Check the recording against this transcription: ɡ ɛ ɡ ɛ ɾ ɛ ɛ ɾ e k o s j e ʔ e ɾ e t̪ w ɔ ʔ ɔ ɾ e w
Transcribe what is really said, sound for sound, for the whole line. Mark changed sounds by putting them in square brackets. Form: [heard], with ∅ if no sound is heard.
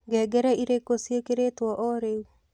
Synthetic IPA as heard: ɡ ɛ ɡ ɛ ɾ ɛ [i] ɾ e k o s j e [k] e ɾ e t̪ w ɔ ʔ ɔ ɾ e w